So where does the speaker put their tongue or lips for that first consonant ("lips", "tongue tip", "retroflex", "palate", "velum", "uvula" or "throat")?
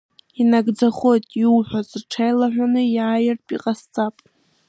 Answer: tongue tip